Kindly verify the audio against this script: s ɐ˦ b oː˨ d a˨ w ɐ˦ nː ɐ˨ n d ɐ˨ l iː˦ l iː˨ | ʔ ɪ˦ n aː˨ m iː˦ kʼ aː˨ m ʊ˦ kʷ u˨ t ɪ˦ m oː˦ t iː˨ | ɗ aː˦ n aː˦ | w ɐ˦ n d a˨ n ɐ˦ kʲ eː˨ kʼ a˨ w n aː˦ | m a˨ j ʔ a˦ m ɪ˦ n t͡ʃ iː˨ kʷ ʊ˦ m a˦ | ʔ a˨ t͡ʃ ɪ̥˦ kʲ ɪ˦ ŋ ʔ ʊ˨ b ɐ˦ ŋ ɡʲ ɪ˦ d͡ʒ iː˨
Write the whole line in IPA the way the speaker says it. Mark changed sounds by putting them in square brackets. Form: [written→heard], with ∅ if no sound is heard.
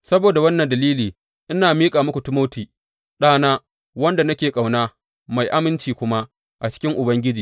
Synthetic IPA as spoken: s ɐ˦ b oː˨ d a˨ w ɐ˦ nː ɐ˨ n d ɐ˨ l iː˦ l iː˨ | ʔ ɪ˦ n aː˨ m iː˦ kʼ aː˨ m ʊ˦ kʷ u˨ t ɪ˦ m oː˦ t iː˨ | ɗ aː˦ n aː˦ | w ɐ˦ n d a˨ n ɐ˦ kʲ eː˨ kʼ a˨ w n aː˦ | m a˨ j ʔ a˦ m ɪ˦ n t͡ʃ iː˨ kʷ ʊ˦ m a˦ | ʔ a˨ t͡ʃ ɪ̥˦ kʲ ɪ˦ ŋ ʔ ʊ˨ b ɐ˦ ŋ ɡʲ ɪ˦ d͡ʒ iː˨